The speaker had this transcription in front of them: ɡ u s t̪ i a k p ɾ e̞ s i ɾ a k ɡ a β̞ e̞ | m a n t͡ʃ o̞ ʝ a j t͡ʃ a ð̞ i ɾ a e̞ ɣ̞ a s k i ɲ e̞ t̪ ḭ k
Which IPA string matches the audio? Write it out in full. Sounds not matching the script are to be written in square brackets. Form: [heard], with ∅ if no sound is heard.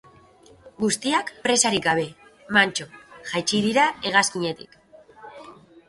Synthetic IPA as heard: ɡ u s t̪ i a k p ɾ e̞ s [a] ɾ [i] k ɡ a β̞ e̞ | m a n t͡ʃ o̞ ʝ a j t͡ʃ [i] ð̞ i ɾ a e̞ ɣ̞ a s k i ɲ e̞ t̪ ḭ k